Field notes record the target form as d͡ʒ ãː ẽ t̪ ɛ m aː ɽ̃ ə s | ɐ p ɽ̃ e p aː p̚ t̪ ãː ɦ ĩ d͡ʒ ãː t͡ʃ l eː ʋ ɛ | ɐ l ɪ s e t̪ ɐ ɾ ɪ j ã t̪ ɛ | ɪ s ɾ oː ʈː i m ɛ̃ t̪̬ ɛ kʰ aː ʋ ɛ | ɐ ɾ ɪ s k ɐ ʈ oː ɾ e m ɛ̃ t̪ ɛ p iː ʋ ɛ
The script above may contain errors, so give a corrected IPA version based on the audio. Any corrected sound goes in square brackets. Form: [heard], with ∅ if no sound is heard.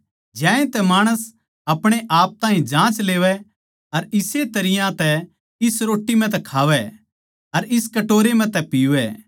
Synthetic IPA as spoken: d͡ʒ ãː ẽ t̪ ɛ m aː ɽ̃ ə s | ɐ p ɽ̃ e [ʔ] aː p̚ t̪ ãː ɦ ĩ d͡ʒ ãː t͡ʃ l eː ʋ ɛ | ɐ [ɾ] ɪ s e t̪ ɐ ɾ ɪ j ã t̪ ɛ | ɪ s ɾ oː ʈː i m ɛ̃ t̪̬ ɛ kʰ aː ʋ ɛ | ɐ ɾ ɪ s k ɐ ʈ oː ɾ e m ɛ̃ t̪ ɛ p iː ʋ ɛ